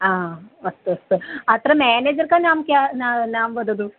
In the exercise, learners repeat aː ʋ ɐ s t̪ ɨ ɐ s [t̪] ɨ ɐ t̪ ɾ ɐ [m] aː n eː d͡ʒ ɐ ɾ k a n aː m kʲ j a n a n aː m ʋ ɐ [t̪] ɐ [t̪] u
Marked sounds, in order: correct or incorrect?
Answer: correct, correct, incorrect, incorrect

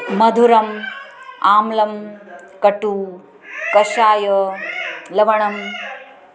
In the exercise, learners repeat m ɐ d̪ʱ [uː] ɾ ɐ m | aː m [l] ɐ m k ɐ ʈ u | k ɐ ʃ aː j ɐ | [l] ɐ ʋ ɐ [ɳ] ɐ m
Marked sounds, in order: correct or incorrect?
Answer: incorrect, correct, correct, correct

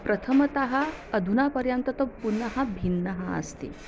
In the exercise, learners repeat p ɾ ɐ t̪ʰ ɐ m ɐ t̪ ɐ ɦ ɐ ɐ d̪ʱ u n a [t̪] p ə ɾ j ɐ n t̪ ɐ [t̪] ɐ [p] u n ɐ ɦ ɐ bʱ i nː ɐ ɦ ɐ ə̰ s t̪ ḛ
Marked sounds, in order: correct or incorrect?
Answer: incorrect, correct, correct

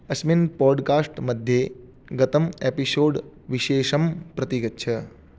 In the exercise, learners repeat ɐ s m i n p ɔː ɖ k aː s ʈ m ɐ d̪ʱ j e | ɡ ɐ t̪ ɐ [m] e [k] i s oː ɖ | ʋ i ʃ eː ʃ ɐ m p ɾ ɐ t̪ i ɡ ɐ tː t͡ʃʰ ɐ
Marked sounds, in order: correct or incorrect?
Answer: correct, incorrect

